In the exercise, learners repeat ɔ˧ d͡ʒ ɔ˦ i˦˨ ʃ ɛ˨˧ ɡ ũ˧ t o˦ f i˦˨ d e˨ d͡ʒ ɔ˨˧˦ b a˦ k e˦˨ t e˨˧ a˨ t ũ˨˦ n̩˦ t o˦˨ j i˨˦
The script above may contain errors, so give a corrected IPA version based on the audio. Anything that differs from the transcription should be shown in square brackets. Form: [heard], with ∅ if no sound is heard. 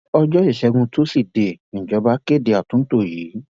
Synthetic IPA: ɔ˧ d͡ʒ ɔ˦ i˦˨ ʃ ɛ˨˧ ɡ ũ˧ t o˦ [s] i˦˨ d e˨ d͡ʒ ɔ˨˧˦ b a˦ k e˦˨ [d] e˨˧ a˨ t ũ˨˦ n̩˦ t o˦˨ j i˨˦